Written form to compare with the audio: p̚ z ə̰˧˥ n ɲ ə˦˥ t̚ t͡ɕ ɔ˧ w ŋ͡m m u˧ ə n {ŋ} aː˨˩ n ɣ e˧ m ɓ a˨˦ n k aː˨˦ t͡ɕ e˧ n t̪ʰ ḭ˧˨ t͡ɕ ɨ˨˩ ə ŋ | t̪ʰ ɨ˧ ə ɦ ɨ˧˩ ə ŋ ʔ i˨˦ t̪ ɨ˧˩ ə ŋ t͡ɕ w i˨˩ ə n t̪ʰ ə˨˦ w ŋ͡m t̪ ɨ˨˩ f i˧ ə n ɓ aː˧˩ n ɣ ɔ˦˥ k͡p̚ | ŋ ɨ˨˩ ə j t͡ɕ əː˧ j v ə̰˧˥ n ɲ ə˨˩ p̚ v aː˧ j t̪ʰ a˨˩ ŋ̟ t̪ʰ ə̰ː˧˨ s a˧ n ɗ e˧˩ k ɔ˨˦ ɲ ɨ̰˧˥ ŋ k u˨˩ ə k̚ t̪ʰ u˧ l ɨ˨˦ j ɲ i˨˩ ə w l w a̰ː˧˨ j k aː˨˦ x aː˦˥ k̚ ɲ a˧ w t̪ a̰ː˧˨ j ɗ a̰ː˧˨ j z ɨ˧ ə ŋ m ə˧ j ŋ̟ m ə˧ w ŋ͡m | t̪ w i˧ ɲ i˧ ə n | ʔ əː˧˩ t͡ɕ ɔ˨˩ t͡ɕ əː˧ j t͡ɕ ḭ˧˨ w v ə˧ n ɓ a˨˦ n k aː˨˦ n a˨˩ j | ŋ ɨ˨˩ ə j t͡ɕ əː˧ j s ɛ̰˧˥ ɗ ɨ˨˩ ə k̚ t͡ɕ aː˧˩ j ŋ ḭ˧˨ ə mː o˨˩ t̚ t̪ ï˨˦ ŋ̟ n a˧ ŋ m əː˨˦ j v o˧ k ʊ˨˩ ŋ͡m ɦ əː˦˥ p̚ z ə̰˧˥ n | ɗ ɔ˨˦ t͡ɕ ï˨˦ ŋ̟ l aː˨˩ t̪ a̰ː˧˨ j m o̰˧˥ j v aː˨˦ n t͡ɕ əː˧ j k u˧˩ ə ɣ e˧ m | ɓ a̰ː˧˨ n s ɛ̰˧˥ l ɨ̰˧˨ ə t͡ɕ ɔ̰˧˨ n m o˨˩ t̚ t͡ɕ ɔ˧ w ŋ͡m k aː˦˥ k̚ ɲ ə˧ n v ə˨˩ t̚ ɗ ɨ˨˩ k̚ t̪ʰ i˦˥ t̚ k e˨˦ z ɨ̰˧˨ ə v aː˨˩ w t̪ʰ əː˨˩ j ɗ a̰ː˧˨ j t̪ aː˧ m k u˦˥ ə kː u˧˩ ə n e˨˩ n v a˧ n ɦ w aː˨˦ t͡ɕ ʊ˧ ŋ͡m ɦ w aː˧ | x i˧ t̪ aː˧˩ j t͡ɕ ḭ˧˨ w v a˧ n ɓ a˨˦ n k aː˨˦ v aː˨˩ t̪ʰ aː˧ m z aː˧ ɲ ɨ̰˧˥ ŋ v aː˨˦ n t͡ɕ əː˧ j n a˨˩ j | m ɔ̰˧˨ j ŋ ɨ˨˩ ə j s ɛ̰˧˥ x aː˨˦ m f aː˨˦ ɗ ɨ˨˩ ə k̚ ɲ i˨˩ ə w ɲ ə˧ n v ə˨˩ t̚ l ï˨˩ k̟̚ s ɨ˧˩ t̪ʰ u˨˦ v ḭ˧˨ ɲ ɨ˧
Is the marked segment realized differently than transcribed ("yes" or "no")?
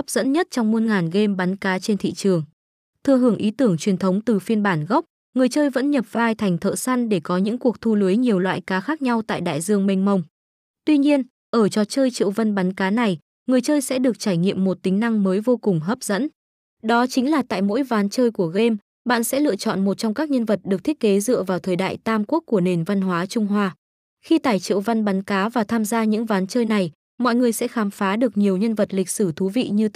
no